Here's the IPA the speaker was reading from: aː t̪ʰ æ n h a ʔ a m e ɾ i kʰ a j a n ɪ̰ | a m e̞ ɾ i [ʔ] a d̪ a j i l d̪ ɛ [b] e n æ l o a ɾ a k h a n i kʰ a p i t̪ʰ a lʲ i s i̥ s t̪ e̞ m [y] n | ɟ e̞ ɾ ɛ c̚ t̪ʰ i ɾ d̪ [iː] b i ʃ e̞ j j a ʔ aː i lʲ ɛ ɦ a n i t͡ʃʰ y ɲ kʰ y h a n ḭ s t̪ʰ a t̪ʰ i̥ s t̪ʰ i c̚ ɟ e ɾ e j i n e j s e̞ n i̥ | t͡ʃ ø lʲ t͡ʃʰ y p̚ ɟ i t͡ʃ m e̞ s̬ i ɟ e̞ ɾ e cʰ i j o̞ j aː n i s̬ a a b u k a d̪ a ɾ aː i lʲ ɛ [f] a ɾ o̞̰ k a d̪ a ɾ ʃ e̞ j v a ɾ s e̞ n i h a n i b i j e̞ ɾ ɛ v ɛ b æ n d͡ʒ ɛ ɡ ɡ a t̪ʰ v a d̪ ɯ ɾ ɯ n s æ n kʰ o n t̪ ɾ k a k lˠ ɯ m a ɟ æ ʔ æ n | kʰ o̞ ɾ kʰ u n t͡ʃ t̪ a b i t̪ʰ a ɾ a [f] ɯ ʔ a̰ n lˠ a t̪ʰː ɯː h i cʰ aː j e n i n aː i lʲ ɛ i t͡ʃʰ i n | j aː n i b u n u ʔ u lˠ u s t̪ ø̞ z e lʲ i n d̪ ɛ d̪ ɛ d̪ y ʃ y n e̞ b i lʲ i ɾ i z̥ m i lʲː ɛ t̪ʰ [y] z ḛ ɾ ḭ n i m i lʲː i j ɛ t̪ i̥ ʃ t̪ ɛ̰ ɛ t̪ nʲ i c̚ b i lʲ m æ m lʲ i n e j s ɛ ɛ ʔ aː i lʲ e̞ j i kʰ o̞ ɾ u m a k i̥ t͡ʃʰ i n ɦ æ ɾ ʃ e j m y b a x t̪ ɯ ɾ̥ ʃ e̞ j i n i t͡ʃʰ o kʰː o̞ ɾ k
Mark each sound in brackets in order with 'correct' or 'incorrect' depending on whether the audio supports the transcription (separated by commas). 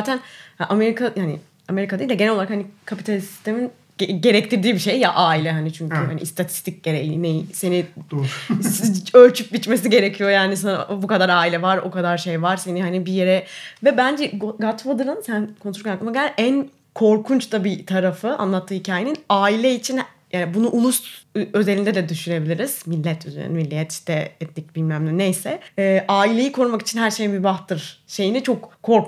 incorrect, incorrect, incorrect, correct, incorrect, correct, correct